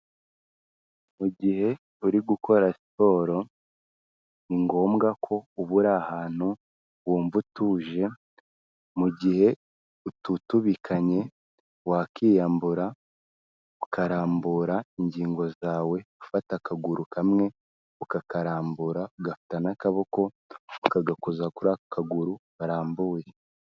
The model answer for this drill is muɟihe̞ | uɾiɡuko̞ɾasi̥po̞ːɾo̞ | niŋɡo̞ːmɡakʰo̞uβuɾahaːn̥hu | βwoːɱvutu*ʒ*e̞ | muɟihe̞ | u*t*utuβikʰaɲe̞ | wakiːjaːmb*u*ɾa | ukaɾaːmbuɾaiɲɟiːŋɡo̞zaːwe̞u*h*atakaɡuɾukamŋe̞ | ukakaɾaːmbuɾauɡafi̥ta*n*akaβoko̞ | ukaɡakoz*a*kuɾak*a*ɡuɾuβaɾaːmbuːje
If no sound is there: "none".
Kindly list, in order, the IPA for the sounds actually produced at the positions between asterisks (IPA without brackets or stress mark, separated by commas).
ʒ, t, u, f, n, a, a